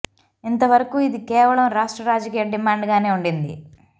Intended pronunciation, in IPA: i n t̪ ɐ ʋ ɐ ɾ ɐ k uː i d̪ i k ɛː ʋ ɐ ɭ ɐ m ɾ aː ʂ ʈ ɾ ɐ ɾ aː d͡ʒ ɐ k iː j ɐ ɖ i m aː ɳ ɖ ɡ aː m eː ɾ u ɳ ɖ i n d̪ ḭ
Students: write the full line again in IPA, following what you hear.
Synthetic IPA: i n t̪ ɐ ʋ ɐ ɾ ɐ k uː i d̪ i k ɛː ʋ ɐ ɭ ɐ m ɾ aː ʂ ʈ ɾ ɐ ɾ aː d͡ʒ ɐ k iː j ɐ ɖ i m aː ɳ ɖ ɡ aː n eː u ɳ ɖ i n d̪ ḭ